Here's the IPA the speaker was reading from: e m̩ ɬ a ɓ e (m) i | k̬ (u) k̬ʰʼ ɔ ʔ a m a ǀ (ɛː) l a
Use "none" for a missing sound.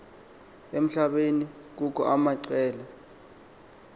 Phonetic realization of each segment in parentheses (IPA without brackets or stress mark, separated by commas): n, u, ɛː